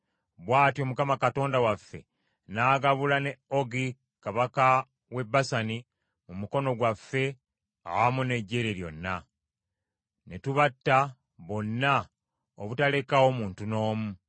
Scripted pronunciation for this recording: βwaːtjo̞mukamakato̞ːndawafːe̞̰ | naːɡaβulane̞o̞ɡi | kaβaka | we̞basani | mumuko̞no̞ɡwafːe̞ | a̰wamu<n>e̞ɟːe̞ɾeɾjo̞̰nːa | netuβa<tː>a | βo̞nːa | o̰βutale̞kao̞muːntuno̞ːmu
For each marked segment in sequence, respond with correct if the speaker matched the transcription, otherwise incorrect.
correct, correct

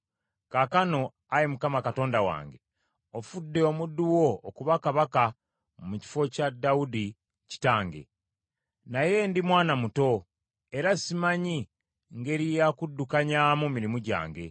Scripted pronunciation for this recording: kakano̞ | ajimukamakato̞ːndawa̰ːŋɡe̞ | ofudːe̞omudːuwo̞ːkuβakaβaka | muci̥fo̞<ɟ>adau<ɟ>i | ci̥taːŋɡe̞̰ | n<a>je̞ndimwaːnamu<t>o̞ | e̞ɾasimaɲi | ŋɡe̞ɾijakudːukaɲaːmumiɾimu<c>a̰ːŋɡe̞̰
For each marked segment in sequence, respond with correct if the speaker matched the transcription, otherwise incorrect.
incorrect, incorrect, correct, correct, incorrect

